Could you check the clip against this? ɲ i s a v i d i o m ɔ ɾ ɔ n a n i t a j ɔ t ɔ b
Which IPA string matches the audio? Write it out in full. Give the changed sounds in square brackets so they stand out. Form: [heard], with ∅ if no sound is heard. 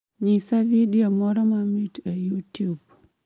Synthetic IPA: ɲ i s a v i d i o m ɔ ɾ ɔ [m] a [m] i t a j [u] t [u] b